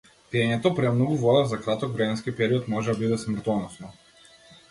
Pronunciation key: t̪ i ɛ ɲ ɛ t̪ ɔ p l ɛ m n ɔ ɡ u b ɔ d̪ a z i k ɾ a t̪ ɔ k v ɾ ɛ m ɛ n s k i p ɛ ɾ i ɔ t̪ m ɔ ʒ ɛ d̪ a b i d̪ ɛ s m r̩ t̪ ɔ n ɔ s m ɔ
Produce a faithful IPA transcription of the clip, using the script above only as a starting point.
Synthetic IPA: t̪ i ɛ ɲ ɛ t̪ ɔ p ɾ ɛ m n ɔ ɡ u v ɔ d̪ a z a k ɾ a t̪ ɔ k v ɾ ɛ m ɛ n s k i p ɛ ɾ i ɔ t̪ m ɔ ʒ ɛ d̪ a b i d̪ ɛ s m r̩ t̪ ɔ n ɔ s n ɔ